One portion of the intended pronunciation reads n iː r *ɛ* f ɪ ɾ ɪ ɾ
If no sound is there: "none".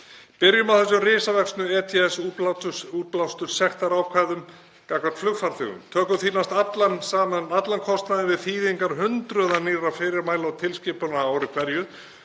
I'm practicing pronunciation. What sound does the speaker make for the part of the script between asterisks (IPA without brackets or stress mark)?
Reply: a